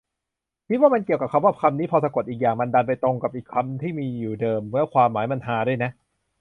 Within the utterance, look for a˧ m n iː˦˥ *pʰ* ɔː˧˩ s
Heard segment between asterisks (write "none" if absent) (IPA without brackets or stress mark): pʰ